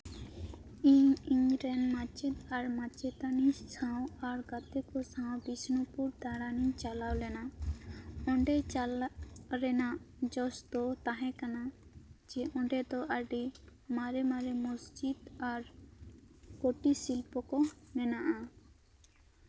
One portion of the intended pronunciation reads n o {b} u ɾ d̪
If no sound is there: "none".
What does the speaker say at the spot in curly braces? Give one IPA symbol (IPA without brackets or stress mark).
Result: p